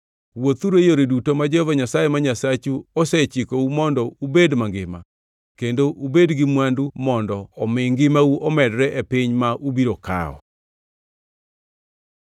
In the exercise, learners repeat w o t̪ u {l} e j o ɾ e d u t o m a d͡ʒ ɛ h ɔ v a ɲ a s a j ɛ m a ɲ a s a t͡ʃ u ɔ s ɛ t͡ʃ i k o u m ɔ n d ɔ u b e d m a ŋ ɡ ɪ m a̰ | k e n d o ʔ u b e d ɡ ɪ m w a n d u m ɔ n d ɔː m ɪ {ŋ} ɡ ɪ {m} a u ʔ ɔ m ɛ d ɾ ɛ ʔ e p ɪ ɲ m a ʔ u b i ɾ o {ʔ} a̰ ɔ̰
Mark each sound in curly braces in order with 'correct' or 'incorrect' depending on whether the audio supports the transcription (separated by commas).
incorrect, correct, correct, incorrect